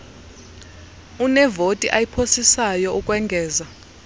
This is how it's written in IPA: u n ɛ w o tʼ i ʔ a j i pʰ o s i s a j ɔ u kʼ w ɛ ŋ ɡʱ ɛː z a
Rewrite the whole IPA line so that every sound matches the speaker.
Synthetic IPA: u n ɛ v o tʼ i ʔ a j i pʰ o s i s a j ɔ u kʼ w ɛ ŋ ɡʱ ɛː z a